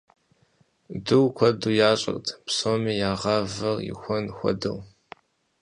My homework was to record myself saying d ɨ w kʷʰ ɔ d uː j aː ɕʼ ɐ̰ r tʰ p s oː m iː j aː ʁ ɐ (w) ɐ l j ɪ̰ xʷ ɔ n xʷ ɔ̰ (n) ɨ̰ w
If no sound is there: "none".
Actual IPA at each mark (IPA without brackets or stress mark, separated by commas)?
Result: v, d